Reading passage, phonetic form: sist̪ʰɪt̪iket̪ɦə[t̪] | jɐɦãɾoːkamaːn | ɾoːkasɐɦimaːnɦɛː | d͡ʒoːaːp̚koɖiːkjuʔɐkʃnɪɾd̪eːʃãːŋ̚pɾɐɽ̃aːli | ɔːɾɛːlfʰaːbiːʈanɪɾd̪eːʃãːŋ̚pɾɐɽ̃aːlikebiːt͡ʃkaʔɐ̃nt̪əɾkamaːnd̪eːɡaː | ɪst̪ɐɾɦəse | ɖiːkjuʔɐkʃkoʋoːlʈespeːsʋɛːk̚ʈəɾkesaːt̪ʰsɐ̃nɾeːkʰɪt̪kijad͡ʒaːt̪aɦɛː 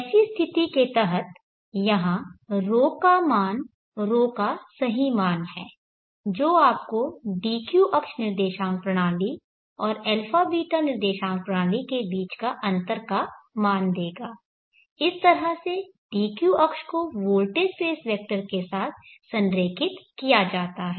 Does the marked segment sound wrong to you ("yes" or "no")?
no